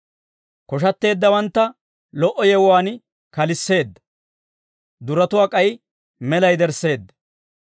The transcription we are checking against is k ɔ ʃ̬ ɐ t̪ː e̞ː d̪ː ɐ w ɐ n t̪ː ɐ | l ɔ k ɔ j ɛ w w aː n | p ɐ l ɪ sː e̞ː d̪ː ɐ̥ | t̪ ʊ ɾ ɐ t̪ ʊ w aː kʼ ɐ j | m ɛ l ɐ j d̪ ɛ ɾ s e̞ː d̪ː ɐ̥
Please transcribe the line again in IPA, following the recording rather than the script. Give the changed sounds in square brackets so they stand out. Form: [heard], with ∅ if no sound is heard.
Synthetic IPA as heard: k ɔ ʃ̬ ɐ t̪ː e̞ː d̪ː ɐ w ɐ n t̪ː ɐ | l ɔ [ʔ] ɔ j ɛ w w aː n | [k] ɐ l ɪ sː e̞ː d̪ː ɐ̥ | [d̪] ʊ ɾ ɐ t̪ ʊ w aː kʼ ɐ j | m ɛ l ɐ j d̪ ɛ ɾ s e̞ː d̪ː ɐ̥

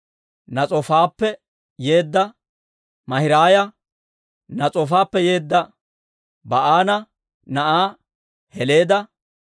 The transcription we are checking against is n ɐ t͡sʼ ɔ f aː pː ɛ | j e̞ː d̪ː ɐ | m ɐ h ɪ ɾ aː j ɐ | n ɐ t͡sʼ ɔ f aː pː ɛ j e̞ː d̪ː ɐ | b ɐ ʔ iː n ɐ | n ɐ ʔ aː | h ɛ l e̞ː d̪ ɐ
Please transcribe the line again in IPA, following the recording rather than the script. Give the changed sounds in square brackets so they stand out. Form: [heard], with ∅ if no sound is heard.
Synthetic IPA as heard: n ɐ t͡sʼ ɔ f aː pː ɛ | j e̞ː d̪ː ɐ | m ɐ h ɪ ɾ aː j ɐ | n ɐ t͡sʼ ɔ f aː pː ɛ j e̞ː d̪ː ɐ | b ɐ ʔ [aː] n ɐ | n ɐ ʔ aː | h ɛ l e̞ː d̪ ɐ

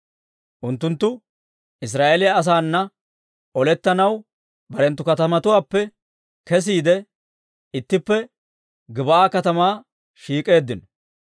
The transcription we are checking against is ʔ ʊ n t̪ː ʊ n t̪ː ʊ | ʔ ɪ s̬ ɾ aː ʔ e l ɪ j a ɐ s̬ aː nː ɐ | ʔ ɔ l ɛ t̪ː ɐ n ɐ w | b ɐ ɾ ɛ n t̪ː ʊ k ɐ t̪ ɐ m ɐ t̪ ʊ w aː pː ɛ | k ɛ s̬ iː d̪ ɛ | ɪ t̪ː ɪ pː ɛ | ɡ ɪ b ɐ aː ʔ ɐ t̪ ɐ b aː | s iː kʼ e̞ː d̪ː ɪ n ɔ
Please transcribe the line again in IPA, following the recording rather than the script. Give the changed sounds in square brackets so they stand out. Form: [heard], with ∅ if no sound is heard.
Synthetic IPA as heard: ʔ ʊ n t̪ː ʊ n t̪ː ʊ | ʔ ɪ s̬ ɾ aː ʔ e l ɪ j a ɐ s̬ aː nː ɐ | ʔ ɔ l ɛ t̪ː ɐ n ɐ w | b ɐ ɾ ɛ n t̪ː ʊ k ɐ t̪ ɐ m ɐ t̪ ʊ w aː pː ɛ | k ɛ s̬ iː d̪ ɛ | ɪ t̪ː ɪ pː ɛ | ɡ ɪ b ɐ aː [k] ɐ t̪ ɐ [m] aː | [ʃ] iː kʼ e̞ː d̪ː ɪ n ɔ

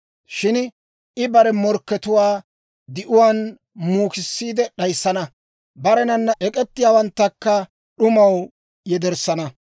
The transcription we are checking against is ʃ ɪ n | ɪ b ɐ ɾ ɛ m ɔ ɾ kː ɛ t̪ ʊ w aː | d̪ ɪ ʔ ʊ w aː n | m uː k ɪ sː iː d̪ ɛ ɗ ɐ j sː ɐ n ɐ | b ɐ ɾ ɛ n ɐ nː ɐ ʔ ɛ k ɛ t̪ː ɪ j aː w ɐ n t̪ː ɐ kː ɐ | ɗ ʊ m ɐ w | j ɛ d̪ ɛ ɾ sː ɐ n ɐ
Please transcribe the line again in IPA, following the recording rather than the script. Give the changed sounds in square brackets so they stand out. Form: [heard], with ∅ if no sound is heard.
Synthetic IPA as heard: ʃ ɪ n | ɪ b ɐ ɾ ɛ m ɔ ɾ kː ɛ t̪ ʊ w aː | d̪ ɪ ʔ ʊ w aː n | m uː k ɪ sː iː d̪ ɛ ɗ ɐ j sː ɐ n ɐ | b ɐ ɾ ɛ n ɐ nː ɐ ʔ ɛ [kʼ] ɛ t̪ː ɪ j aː w ɐ n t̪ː ɐ kː ɐ | ɗ ʊ m ɐ w | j ɛ d̪ ɛ ɾ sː ɐ n ɐ

